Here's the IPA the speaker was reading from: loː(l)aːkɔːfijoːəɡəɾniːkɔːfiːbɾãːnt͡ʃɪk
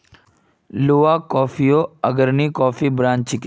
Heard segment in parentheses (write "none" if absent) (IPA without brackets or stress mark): none